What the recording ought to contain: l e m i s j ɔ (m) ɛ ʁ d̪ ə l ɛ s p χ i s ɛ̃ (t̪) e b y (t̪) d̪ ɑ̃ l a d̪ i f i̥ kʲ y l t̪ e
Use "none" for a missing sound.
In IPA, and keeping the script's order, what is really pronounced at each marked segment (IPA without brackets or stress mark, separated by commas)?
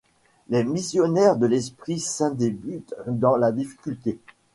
n, d̪, t̪